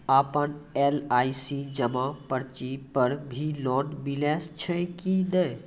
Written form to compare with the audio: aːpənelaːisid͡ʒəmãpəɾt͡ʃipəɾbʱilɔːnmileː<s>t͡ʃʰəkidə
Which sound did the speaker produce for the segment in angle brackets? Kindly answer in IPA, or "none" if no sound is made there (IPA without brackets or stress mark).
s